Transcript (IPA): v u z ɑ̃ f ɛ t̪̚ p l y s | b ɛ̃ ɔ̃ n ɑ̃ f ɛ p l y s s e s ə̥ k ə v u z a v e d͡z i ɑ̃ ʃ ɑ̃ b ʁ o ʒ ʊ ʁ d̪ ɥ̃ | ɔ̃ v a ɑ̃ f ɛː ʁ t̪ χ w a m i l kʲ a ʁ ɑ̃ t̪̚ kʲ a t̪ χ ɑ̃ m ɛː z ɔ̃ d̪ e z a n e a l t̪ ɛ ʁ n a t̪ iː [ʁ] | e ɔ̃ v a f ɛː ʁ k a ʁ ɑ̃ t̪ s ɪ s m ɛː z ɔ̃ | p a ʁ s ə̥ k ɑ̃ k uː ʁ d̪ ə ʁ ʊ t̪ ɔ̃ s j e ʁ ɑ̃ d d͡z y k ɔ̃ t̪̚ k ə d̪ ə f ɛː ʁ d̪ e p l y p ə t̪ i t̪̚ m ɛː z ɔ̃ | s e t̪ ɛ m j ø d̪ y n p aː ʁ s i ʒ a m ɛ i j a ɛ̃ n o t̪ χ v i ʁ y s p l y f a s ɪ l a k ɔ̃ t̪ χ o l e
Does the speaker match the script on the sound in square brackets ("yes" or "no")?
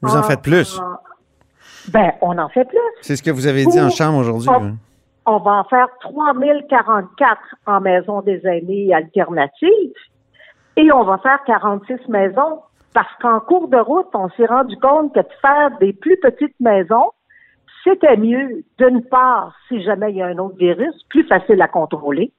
no